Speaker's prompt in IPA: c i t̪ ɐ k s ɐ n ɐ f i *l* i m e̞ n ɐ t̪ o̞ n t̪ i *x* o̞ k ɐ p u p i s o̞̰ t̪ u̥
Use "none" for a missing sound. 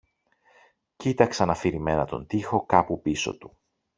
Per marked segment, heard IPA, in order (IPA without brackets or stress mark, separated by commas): ɾ, x